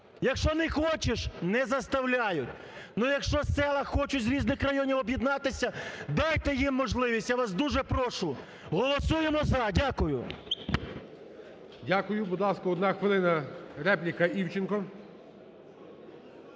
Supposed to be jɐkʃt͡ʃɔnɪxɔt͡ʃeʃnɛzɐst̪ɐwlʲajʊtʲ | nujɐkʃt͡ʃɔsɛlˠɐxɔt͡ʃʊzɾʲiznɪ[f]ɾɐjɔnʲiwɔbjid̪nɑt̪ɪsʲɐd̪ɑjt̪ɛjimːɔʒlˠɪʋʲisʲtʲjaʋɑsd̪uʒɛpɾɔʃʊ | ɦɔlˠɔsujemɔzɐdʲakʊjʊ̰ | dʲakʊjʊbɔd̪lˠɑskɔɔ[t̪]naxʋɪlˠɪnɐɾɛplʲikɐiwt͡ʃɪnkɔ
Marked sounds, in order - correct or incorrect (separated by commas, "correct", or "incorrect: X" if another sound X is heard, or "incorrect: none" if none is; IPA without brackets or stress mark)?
incorrect: x, incorrect: d̪